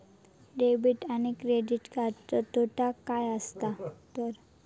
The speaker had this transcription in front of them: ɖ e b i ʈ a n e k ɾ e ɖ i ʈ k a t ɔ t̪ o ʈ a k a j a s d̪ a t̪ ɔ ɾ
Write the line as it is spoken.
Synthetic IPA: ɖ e b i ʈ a n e k ɾ e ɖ i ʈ k a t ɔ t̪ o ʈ a k a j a s t̪ a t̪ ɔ ɾ